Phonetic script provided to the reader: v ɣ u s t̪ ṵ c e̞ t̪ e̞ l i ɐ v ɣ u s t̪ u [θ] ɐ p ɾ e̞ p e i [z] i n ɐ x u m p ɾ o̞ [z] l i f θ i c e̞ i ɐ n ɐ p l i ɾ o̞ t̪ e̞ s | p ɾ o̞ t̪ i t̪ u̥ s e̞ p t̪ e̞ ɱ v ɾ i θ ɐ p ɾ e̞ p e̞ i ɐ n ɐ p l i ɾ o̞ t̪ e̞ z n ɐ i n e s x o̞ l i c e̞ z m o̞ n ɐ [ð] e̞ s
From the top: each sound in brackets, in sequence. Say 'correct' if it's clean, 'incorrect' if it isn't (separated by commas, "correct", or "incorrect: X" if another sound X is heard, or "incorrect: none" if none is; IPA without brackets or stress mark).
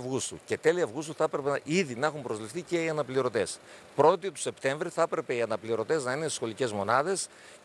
correct, incorrect: ð, correct, correct